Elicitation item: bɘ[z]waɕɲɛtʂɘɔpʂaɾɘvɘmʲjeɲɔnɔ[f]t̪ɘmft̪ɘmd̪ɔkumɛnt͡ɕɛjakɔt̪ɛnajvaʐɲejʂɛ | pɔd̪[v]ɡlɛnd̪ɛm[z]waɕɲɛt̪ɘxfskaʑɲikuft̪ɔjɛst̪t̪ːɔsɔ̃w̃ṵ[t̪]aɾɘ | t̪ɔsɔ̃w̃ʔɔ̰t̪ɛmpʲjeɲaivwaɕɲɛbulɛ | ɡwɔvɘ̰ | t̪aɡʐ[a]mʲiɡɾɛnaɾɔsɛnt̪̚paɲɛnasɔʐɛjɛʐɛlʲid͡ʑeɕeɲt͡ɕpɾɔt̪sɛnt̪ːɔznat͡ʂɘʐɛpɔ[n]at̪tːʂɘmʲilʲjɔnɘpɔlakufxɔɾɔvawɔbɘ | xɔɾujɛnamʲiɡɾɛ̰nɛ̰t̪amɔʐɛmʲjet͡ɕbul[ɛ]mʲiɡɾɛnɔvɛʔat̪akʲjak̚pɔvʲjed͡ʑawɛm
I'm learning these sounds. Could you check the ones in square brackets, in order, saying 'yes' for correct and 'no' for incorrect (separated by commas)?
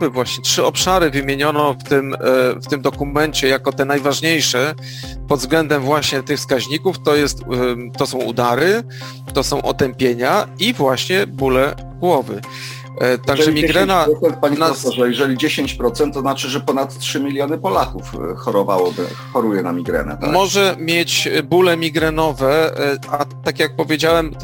no, yes, no, no, no, no, yes, yes